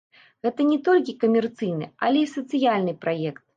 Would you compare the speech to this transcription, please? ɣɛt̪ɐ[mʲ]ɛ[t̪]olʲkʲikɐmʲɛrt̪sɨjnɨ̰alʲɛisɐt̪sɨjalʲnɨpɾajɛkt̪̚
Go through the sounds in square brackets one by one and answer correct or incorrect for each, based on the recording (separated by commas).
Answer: incorrect, correct